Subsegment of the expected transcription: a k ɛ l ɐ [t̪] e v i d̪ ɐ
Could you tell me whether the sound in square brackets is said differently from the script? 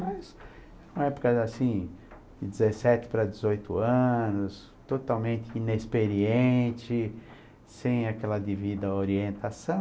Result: yes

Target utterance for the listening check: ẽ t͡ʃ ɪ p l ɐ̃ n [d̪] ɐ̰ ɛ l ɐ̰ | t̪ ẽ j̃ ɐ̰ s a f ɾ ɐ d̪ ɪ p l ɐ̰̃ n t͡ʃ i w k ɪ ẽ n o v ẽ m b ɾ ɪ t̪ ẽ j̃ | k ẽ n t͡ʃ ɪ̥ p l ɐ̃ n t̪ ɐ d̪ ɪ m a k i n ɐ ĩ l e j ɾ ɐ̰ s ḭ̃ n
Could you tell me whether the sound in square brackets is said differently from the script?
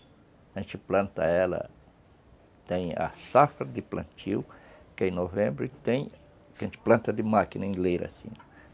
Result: yes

